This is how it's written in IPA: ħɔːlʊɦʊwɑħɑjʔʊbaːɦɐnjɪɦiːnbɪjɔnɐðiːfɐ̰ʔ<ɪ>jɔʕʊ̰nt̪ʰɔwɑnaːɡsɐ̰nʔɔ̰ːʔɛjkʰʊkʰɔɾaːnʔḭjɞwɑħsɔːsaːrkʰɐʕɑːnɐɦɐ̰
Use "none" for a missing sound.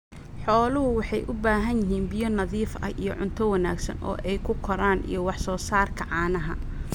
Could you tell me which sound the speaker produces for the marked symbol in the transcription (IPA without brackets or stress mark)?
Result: i